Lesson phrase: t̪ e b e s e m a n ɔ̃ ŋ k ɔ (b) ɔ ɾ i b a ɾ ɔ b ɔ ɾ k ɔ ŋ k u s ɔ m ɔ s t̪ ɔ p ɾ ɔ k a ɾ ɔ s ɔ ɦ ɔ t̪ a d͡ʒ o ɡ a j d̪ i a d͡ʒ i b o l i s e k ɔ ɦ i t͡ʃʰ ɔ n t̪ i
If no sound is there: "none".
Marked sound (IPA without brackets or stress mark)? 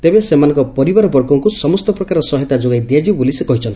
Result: p